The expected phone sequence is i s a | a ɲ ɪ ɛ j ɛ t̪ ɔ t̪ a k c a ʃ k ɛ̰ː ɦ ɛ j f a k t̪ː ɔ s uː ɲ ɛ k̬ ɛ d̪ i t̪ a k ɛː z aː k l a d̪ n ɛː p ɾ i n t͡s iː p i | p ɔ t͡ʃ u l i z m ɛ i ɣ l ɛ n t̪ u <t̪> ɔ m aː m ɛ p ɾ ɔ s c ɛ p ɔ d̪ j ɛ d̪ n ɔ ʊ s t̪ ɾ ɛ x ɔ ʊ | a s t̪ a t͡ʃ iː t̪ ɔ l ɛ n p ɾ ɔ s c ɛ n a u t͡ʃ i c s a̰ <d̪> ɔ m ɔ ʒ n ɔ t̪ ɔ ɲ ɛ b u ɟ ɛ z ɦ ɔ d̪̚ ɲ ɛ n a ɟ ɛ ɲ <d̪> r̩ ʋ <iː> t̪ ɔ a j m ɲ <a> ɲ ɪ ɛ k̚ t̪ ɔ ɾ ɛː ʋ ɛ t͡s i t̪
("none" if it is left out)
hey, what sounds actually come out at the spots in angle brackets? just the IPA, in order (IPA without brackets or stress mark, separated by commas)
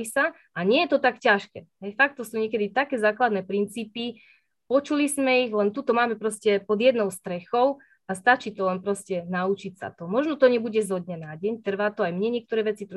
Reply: t̪, t̪, t̪, aː, ɛ